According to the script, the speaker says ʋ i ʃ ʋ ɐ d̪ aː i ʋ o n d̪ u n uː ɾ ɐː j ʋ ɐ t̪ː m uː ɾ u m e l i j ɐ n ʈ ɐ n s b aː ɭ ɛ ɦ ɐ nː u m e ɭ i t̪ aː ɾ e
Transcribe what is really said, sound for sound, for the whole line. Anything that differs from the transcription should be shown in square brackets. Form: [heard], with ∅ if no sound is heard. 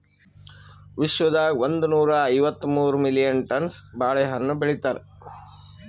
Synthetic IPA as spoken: ʋ i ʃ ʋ ɐ d̪ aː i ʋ o n d̪ u n uː ɾ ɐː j ʋ ɐ t̪ː m uː ɾ u m [i] l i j ɐ n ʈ ɐ n s b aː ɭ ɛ ɦ ɐ nː u [b] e ɭ i t̪ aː ɾ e